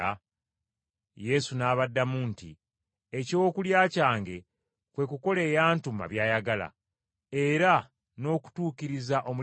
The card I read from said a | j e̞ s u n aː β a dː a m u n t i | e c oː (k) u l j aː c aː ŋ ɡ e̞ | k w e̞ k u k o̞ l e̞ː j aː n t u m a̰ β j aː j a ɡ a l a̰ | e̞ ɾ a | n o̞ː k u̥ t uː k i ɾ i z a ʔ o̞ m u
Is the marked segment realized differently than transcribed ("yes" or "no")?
no